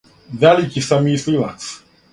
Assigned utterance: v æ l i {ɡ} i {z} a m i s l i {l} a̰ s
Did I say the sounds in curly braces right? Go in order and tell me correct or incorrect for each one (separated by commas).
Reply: incorrect, incorrect, correct